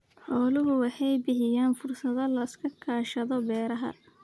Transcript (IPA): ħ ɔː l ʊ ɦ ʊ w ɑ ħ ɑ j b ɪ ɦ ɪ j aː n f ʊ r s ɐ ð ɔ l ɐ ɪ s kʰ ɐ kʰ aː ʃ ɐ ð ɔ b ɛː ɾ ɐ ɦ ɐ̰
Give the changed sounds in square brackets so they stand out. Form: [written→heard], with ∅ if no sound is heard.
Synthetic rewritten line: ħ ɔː l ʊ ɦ ʊ w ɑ ħ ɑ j b ɪ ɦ ɪ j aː n f ʊ r s ɐ ð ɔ l ɐ ɪ s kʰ ɐ kʰ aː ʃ ɐ ð ɔ b ɛː ɾ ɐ ɦ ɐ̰